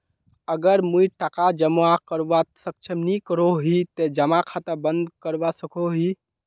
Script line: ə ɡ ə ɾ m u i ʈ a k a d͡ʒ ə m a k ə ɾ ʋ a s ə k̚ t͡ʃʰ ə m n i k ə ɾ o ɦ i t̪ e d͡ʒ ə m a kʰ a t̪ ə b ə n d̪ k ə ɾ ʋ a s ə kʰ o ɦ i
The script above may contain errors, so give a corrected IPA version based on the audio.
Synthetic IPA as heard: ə ɡ ə ɾ m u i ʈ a k a d͡ʒ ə m a k ə ɾ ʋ a s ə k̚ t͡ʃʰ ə m n i k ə ɾ o ɦ i t̪ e d͡ʒ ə m a kʰ a t̪ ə b ə n d̪ k ə ɾ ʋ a s ə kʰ o ɦ i